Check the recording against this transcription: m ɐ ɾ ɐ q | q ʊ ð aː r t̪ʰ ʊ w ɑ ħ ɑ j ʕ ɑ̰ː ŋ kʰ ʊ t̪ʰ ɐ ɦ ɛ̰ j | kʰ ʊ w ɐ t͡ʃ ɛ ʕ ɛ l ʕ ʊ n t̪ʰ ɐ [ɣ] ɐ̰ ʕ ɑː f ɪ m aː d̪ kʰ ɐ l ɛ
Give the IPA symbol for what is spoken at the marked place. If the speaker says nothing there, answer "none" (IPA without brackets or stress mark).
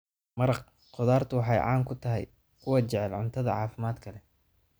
ð